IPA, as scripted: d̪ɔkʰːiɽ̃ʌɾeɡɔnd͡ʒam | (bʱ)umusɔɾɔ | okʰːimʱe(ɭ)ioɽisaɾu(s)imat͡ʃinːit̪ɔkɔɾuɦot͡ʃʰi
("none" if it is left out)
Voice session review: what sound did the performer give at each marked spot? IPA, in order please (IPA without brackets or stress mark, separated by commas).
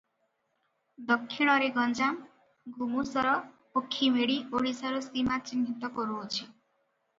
ɡʱ, ɽ, s